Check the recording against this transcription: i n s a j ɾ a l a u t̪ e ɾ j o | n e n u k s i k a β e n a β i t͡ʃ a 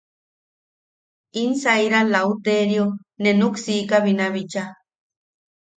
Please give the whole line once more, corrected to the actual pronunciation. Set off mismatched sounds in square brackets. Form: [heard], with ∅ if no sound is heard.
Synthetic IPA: i n s a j ɾ a l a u t̪ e ɾ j o | n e n u k s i k a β [i] n a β i t͡ʃ a